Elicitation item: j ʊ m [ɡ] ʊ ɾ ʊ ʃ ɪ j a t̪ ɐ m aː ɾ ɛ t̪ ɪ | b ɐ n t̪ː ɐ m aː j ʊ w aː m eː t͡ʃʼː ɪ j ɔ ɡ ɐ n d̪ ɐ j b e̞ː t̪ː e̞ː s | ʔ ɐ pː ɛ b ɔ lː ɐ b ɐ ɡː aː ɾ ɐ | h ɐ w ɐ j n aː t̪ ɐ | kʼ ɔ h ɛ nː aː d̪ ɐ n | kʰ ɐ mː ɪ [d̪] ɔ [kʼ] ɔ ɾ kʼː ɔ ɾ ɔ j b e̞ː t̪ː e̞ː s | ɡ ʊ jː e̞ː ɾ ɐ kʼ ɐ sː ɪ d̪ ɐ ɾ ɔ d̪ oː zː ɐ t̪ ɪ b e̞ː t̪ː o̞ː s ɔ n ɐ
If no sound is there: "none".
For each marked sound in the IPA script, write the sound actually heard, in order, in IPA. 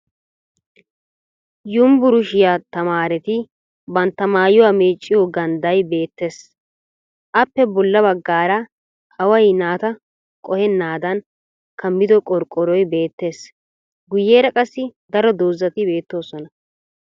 b, d̪, kʼ

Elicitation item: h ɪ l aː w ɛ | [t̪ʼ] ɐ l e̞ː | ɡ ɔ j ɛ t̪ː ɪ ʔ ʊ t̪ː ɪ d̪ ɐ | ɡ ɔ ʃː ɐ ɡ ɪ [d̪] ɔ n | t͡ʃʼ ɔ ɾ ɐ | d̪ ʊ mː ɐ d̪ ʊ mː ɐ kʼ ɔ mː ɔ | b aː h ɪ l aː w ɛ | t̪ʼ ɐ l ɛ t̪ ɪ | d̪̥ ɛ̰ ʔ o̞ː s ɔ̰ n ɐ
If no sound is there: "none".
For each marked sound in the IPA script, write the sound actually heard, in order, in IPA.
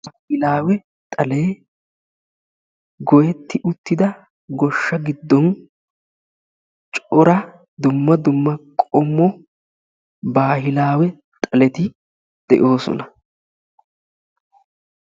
t̪ʼ, d̪ː

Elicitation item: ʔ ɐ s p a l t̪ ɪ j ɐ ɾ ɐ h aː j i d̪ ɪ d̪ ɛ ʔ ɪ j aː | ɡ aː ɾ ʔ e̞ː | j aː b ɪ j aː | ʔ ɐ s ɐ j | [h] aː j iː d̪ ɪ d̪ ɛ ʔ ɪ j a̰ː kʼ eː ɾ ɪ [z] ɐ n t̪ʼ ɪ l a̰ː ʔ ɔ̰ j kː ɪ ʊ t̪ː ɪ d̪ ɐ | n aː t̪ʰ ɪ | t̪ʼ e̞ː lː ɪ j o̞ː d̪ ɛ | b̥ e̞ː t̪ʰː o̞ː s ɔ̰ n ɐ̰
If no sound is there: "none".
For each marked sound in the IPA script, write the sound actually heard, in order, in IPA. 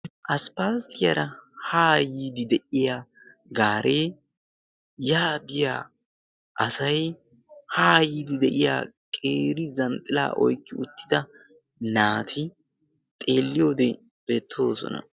h, z

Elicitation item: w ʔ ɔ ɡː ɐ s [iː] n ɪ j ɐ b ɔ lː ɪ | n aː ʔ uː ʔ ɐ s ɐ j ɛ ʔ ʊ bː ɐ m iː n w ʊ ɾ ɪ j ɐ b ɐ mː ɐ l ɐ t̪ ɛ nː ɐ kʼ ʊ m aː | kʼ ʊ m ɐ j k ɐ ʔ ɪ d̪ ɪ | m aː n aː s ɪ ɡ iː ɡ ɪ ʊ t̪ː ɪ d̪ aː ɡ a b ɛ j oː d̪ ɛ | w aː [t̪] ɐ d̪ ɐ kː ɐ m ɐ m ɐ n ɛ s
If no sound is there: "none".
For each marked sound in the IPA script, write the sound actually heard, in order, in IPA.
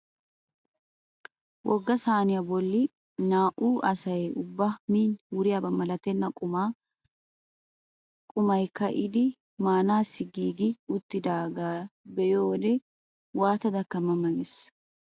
aː, t̪

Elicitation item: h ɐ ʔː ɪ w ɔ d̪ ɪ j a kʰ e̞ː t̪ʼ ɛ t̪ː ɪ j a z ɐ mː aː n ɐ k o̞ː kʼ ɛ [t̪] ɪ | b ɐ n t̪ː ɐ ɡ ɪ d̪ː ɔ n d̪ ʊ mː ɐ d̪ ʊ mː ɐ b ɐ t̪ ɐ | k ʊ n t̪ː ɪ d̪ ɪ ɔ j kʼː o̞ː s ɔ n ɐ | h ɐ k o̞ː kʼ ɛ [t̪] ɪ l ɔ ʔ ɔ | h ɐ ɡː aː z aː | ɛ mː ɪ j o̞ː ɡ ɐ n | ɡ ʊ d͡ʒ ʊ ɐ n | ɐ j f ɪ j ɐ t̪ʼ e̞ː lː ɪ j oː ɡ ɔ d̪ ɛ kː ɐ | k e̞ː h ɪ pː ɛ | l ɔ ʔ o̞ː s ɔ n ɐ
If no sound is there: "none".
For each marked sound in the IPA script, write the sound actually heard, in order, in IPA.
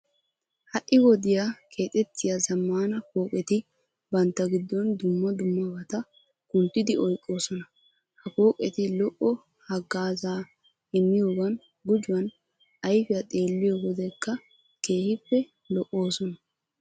t̪, t̪

